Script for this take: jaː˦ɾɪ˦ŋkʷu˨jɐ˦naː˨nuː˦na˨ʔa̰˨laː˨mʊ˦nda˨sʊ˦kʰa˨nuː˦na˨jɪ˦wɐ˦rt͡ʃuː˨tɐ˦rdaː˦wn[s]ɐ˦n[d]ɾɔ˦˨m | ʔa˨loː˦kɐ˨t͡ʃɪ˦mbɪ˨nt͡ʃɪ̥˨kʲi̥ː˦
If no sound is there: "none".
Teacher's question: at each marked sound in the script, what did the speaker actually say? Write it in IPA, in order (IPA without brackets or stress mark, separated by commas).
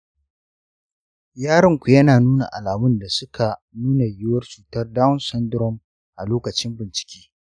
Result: s, d